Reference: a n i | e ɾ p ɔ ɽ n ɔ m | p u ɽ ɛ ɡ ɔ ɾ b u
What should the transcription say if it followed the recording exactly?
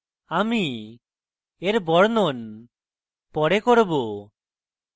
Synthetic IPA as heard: a m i | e ɾ b ɔ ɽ n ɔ n | p ɔ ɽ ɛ k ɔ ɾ b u